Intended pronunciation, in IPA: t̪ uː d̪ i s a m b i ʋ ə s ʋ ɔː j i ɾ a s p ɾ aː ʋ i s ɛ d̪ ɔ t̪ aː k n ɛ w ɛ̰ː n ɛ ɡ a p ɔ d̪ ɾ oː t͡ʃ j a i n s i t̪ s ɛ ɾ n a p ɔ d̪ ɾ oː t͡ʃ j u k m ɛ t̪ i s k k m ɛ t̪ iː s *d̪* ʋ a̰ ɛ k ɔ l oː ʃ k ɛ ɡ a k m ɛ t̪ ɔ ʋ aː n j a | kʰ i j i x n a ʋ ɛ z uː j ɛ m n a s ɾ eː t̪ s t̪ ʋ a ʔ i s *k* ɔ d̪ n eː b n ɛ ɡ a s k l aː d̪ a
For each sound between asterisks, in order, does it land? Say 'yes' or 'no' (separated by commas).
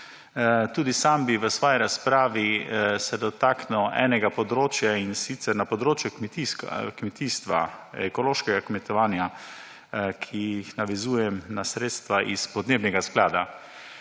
no, no